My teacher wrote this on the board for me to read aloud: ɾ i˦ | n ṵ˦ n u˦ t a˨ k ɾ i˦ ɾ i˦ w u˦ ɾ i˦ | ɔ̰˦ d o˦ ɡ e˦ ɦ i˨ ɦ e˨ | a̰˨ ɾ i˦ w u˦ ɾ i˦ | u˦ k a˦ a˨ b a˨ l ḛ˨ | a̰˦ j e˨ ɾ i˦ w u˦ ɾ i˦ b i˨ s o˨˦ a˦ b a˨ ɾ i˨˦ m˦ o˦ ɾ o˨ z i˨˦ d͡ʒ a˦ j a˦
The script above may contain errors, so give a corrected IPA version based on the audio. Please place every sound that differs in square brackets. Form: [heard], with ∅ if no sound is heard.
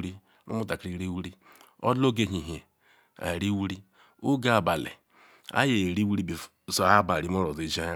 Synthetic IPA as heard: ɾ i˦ | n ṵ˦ [m] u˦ t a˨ k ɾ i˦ ɾ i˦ w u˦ ɾ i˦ | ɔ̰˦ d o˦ ɡ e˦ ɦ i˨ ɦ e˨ | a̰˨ ɾ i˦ w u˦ ɾ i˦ | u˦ [ɡ] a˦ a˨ b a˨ l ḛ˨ | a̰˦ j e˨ ɾ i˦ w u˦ ɾ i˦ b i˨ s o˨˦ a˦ b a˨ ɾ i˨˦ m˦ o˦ ɾ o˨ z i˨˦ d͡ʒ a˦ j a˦